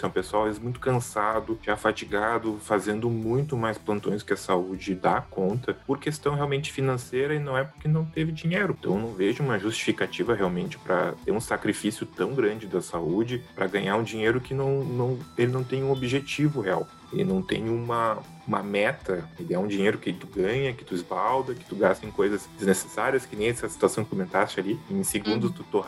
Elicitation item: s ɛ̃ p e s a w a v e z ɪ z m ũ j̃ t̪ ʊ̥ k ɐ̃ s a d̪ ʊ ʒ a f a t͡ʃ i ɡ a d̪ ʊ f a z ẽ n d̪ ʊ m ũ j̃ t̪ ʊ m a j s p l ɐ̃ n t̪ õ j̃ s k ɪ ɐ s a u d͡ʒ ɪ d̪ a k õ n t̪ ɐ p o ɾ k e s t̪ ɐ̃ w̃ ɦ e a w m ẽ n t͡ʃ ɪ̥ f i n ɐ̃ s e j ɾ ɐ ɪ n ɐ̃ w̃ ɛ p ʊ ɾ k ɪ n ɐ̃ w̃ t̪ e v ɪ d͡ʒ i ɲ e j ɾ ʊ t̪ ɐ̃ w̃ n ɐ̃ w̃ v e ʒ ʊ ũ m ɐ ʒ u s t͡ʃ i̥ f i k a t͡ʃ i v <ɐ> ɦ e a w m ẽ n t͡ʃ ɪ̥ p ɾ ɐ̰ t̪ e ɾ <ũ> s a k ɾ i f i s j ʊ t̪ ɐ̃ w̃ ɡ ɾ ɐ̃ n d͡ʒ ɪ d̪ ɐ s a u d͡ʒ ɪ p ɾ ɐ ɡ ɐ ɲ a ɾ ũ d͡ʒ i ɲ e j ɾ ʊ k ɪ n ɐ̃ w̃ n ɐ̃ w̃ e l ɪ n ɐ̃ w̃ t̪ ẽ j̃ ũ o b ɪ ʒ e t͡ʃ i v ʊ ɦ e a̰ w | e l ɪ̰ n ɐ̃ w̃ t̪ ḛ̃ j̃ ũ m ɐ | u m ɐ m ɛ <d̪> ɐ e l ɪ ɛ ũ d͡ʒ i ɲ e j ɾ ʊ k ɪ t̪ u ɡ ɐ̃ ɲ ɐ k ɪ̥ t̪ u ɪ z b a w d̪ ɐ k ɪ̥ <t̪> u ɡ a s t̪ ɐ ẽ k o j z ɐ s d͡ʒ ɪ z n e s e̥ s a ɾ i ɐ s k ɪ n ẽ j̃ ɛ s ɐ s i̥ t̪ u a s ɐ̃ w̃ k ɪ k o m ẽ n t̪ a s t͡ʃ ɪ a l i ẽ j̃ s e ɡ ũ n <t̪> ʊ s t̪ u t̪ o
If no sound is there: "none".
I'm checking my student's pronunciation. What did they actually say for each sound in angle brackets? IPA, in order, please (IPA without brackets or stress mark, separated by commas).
ɐ, ũ, t̪, t̪, d̪